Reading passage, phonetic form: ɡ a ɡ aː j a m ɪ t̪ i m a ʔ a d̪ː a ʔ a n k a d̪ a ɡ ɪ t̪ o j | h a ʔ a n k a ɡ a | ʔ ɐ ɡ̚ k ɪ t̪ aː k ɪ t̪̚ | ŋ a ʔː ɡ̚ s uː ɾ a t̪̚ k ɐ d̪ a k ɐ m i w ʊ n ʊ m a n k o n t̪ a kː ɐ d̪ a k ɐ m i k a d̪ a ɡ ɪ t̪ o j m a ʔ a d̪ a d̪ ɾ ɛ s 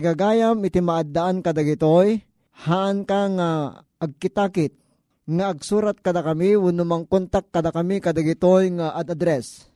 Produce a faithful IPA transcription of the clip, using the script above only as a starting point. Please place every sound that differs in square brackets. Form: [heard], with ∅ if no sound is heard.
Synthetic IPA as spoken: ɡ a ɡ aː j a m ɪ t̪ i m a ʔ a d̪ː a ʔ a n k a d̪ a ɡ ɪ t̪ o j | h a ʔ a n k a [ŋ] a | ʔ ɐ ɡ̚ k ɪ t̪ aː k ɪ t̪̚ | ŋ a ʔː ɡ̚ s uː ɾ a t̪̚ k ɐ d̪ a k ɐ m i w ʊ n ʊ m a [ŋ] k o n t̪ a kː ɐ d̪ a k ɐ m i k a d̪ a ɡ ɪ t̪ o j [ŋ] a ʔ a d̪ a d̪ ɾ ɛ s